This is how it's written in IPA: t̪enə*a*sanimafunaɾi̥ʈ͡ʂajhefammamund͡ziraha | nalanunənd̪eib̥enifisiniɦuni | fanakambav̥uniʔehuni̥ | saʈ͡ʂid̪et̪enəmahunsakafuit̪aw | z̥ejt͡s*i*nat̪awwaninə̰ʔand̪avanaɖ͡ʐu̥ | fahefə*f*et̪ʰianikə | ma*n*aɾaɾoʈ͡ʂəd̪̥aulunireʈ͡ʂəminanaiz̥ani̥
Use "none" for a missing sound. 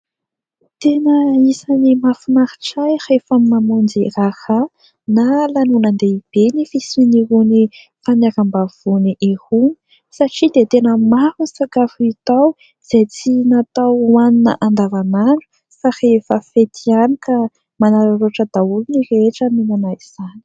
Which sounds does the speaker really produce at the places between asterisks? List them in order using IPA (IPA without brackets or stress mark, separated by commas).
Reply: i, i, f, n